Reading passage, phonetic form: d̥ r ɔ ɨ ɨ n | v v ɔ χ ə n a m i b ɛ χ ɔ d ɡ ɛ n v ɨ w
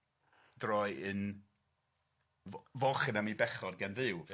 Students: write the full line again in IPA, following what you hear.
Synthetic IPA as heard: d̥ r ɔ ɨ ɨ n | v v ɔ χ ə n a m i b ɛ χ ɔ d ɡ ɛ n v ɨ w